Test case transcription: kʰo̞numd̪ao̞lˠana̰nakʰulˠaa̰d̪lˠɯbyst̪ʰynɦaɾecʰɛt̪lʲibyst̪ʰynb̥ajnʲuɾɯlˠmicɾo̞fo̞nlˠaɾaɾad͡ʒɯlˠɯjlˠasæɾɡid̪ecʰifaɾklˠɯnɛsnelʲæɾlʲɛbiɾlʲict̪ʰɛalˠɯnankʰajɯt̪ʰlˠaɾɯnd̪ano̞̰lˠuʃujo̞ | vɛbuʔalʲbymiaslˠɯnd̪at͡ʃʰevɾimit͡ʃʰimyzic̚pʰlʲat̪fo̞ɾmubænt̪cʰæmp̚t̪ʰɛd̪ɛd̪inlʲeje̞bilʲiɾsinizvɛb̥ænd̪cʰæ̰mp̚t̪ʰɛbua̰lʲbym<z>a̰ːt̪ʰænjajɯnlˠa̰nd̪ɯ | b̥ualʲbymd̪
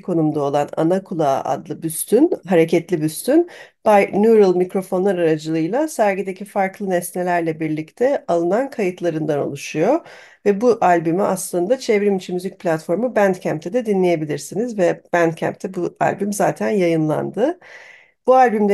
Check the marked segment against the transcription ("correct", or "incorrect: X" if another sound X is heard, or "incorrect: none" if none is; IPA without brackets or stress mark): correct